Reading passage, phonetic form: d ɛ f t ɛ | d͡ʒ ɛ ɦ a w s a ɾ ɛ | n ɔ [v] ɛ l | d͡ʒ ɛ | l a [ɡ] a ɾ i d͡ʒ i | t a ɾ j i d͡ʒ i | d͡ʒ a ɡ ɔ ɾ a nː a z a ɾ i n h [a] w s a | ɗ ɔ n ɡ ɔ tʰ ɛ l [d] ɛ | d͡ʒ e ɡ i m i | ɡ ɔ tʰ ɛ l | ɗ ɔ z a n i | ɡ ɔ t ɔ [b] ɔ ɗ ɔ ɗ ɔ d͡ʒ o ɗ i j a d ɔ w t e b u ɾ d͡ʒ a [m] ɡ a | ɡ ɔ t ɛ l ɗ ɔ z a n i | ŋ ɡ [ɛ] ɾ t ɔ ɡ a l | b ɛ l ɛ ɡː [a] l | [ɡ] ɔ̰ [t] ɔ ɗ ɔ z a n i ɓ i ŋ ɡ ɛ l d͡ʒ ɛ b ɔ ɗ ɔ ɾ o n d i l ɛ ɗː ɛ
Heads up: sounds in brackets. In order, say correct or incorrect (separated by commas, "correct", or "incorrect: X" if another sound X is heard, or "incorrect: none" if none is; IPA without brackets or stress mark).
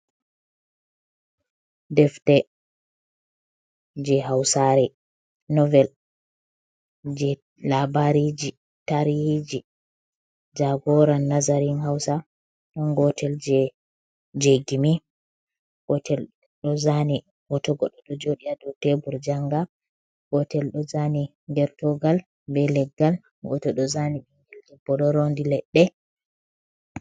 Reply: correct, incorrect: b, correct, incorrect: d͡ʒ, incorrect: ɡ, incorrect: ŋ, correct, correct, correct, correct